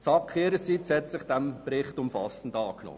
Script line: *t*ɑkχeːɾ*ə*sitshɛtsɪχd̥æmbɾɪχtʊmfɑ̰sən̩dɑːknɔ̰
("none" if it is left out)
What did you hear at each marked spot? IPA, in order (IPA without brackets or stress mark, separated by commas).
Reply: t͡s, ə